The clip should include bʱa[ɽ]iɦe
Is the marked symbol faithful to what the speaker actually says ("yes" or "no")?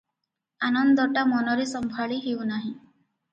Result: no